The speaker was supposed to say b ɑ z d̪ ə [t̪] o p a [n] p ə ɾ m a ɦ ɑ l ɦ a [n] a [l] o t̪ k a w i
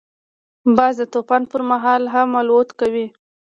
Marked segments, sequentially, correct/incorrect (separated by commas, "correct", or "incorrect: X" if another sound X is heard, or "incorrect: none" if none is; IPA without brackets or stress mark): correct, correct, incorrect: m, correct